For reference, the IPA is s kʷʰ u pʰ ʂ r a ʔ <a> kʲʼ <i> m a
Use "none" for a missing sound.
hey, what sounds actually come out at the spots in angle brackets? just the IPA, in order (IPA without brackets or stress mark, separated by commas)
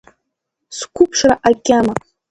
a, a